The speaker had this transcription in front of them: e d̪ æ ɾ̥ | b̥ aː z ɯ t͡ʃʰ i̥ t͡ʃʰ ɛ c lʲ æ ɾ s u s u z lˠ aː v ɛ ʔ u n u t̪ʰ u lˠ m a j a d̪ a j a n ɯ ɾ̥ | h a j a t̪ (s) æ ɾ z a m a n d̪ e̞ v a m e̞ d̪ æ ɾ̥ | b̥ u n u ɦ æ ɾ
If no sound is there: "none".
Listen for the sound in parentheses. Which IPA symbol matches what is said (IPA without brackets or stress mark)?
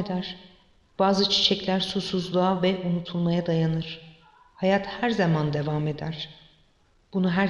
h